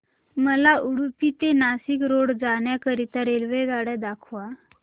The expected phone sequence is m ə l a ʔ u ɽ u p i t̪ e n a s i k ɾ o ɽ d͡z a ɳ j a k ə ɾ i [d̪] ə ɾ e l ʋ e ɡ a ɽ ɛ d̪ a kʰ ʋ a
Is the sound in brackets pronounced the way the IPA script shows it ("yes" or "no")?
no